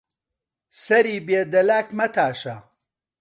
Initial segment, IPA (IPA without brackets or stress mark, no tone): s